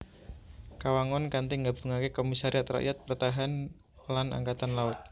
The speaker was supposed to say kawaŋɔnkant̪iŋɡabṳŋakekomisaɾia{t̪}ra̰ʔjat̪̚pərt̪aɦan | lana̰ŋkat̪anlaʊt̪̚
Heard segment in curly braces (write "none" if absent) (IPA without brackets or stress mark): t̪